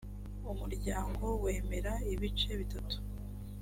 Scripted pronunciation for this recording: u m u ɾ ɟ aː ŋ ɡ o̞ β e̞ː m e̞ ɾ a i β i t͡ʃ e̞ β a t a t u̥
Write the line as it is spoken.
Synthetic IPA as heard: u m u ɾ ɟ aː ŋ ɡ o̞ w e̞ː m e̞ ɾ a i β i t͡ʃ e̞ β i t a t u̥